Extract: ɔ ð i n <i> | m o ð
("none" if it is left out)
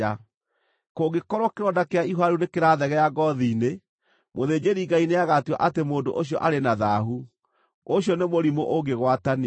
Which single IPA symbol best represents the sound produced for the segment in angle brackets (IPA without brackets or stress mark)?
e